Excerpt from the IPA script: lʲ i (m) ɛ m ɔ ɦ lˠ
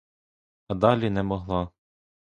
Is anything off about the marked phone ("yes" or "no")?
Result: yes